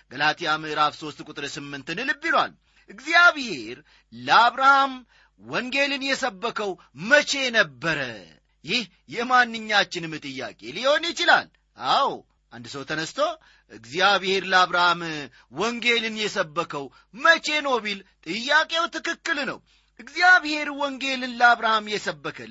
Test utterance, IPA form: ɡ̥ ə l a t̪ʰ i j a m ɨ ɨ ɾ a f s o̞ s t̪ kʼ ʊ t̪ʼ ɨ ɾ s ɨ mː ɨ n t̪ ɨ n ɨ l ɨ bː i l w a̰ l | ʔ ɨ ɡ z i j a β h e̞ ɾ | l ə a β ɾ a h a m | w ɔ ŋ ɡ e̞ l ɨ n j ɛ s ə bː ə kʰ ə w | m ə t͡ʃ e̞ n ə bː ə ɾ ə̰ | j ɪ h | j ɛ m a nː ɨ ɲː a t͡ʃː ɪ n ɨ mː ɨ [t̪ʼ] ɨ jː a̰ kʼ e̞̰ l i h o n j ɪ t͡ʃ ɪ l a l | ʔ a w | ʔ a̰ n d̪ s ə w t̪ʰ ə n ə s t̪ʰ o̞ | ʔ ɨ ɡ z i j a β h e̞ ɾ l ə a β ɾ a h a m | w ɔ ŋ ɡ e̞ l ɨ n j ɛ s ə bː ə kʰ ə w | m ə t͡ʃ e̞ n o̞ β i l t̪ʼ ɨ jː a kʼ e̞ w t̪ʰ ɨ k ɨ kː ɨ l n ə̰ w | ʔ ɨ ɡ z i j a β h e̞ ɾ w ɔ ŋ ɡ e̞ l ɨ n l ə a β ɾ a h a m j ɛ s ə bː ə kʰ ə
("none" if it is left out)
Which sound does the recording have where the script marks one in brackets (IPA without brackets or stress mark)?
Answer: t̪ʼ